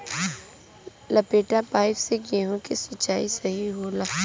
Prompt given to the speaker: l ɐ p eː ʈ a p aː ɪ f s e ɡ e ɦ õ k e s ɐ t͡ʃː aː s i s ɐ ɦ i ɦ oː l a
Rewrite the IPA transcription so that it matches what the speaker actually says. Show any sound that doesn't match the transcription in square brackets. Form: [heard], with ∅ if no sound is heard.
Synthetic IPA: l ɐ p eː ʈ a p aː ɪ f s e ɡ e ɦ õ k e s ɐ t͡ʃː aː [∅] i s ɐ ɦ i ɦ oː l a